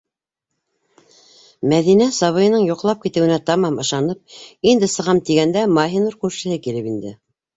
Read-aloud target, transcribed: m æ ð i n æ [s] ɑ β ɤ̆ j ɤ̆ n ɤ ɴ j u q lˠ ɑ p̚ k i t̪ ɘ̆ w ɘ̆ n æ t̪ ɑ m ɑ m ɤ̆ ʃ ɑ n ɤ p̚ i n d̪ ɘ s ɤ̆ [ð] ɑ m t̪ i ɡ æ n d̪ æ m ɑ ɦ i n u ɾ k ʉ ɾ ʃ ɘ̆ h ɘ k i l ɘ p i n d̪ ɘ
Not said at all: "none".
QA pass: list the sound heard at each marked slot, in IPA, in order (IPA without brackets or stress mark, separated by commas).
s, ʁ